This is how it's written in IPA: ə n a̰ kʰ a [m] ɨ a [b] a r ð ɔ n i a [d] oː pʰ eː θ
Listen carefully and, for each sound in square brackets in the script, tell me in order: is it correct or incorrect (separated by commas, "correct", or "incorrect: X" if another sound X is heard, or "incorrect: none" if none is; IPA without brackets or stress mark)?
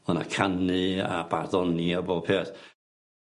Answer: incorrect: n, correct, incorrect: b